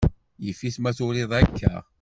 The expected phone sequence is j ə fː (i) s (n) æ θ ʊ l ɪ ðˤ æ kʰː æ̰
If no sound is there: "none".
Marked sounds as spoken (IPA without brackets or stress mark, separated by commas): i, m